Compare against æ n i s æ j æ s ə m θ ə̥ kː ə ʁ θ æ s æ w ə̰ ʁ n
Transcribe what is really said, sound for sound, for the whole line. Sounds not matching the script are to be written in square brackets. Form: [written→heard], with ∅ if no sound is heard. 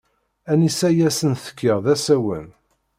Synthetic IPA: æ n i s æ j æ s ə [m→n] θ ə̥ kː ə ʁ [θ→ð] æ s æ w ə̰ [ʁ→∅] n